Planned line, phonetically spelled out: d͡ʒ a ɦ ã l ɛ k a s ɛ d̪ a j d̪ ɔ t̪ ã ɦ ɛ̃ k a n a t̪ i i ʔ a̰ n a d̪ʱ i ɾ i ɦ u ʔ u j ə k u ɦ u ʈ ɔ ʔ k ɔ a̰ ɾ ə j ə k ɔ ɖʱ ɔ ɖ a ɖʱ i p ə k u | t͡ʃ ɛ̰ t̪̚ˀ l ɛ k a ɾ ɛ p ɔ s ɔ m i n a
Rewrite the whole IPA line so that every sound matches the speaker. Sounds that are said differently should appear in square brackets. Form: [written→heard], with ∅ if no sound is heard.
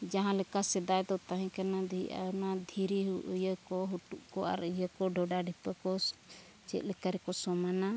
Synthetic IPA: d͡ʒ a ɦ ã l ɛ k a s ɛ d̪ a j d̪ ɔ t̪ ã ɦ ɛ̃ k a n a [t̪→d̪] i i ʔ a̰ n a d̪ʱ i ɾ i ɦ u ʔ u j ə k [u→ɔ] ɦ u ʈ [ɔ→u] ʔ k ɔ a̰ ɾ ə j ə k ɔ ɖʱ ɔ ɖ a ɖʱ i p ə k [u→ɔ] | t͡ʃ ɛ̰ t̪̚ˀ l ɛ k a ɾ ɛ [p→k] ɔ s ɔ m [i→a] n a

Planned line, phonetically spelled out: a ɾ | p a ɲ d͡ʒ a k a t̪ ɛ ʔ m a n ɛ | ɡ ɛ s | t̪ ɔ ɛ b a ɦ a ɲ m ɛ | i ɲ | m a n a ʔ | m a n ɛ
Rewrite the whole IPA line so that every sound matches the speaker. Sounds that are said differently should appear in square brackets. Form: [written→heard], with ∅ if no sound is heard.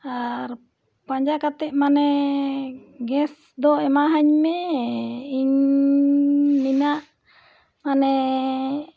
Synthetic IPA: a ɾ | p a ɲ d͡ʒ a k a t̪ ɛ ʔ m a n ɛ | ɡ ɛ s | [t̪→d̪] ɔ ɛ [b→m] a ɦ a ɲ m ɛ | i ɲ | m [a→i] n a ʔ | m a n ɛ

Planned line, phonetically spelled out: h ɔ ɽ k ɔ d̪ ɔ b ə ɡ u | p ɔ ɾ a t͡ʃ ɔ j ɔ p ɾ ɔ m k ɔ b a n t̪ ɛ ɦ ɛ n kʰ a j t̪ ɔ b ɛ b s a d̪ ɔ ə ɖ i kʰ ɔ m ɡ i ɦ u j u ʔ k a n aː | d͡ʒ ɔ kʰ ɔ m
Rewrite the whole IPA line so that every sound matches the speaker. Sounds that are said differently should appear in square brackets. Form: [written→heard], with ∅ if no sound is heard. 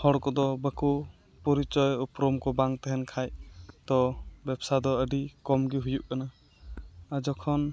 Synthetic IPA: h ɔ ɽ k ɔ d̪ ɔ b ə [ɡ→k] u | p ɔ ɾ [a→i] t͡ʃ ɔ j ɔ p ɾ ɔ m k ɔ b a [n→ŋ] t̪ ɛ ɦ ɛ n kʰ a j t̪ ɔ b ɛ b s a d̪ ɔ ə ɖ i [kʰ→k] ɔ m ɡ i ɦ u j u ʔ k a n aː | d͡ʒ ɔ kʰ ɔ [m→n]

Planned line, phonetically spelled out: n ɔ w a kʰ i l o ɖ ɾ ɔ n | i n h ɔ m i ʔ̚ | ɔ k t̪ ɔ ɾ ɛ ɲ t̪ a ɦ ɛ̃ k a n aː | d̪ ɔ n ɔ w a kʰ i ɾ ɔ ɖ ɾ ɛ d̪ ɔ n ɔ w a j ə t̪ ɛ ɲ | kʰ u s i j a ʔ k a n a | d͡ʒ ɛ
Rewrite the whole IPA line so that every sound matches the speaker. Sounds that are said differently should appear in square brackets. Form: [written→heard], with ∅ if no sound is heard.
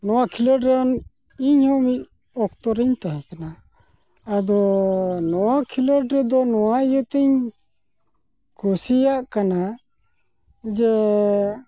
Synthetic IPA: n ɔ w a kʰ i l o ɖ ɾ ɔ n | i [n→ɲ] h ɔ m i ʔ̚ | ɔ k t̪ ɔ ɾ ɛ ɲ t̪ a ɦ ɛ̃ k a n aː | d̪ ɔ n ɔ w a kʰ i [ɾ→l] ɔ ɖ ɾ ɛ d̪ ɔ n ɔ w a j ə t̪ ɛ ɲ | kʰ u s i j a ʔ k a n a | d͡ʒ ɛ

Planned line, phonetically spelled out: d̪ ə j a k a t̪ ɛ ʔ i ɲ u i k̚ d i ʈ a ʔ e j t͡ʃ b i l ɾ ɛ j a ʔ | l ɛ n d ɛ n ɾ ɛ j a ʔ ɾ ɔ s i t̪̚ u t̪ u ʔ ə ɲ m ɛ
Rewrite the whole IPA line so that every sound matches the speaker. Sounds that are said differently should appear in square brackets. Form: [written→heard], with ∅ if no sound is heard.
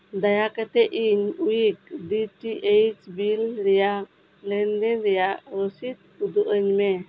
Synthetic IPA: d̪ [ə→a] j a k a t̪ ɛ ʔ i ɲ u i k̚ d i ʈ [a→i] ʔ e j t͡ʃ b i l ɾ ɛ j a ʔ | l ɛ n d ɛ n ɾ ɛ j a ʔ ɾ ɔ s i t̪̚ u [t̪→d̪] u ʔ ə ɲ m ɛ

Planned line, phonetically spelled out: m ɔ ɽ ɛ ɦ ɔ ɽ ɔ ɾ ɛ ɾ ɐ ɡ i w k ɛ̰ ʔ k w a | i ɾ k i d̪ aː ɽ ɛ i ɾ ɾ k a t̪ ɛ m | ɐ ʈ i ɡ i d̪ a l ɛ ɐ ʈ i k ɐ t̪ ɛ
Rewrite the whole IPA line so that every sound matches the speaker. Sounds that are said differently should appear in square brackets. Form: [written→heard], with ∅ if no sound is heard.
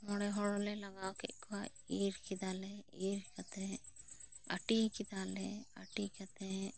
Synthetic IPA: m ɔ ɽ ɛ ɦ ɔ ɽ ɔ [ɾ→l] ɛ [ɾ→l] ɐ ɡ [i→a] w k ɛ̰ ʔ k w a | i ɾ k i d̪ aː [ɽ→l] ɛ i ɾ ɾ k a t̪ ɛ [m→∅] | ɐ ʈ i [ɡ→k] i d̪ a l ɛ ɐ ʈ i k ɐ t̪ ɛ

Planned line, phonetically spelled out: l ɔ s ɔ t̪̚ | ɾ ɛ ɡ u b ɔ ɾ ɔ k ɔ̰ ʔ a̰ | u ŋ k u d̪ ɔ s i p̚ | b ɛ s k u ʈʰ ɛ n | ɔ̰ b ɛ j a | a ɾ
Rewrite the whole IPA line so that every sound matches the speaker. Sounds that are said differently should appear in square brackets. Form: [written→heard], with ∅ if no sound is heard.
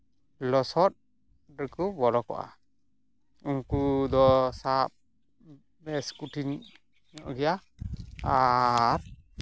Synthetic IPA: l ɔ s ɔ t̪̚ | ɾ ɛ [ɡ→k] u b ɔ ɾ ɔ k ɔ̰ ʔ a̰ | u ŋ k u d̪ ɔ s [i→a] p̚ | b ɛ s k u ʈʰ [ɛ→i] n | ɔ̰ [b→ɡ] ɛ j a | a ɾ

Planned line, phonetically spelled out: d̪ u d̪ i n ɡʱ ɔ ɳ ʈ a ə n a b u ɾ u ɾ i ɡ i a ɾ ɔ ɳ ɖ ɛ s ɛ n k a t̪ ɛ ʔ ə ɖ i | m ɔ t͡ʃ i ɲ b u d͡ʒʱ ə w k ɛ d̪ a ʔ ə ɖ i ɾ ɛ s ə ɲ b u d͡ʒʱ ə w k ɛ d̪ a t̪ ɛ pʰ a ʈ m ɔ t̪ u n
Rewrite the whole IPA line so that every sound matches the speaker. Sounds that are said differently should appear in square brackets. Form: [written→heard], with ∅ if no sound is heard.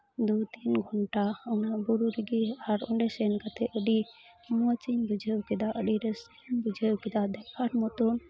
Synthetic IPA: d̪ u [d̪→t̪] i n ɡʱ ɔ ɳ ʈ a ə n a b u ɾ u ɾ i ɡ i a ɾ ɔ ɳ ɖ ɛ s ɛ n k a t̪ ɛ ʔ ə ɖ i | m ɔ t͡ʃ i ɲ b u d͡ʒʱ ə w k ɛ d̪ a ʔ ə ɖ i ɾ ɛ s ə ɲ b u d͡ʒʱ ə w k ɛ d̪ a [t̪→d̪] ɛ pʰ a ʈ m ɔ t̪ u n

